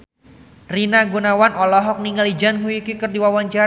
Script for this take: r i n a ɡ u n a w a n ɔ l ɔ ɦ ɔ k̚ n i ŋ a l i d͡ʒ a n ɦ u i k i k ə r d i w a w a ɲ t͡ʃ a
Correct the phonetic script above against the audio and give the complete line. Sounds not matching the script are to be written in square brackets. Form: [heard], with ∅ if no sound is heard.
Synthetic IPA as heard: r i n a ɡ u n a w a n ɔ l ɔ ɦ ɔ k̚ n i ŋ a l i d͡ʒ a n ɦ u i k i k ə r d i w a w a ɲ t͡ʃ a